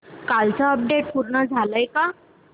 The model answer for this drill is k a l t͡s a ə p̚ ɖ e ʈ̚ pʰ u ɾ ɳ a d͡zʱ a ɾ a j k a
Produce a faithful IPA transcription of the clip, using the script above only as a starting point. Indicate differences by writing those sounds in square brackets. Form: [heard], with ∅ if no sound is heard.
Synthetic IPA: k a l t͡s a ə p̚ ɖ e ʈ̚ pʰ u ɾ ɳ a d͡zʱ a [l] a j k a